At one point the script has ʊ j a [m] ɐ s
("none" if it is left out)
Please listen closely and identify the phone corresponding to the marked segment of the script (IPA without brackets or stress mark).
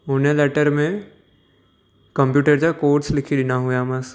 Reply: m